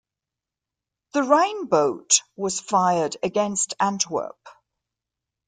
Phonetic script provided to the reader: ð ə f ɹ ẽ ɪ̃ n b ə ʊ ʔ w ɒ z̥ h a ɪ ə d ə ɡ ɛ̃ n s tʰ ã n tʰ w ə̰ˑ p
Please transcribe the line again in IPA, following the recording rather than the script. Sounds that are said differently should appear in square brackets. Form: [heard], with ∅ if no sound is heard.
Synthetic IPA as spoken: ð ə [∅] ɹ ẽ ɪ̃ n b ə ʊ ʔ w ɒ z̥ [f] a ɪ ə d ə ɡ ɛ̃ n s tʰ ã n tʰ w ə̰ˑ p